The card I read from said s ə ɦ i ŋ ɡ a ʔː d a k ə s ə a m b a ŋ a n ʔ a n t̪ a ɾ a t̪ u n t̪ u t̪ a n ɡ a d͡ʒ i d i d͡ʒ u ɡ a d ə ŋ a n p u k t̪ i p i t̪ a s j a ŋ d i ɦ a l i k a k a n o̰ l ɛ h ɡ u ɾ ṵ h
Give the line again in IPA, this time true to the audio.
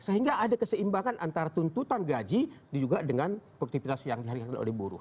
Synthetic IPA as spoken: s ə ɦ i ŋ ɡ a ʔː d a k ə s ə i m b a ŋ a n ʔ a n t̪ a ɾ a t̪ u n t̪ u t̪ a n ɡ a d͡ʒ i d i d͡ʒ u ɡ a d ə ŋ a n p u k t̪ i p i t̪ a s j a ŋ d i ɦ a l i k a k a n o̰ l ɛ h b u ɾ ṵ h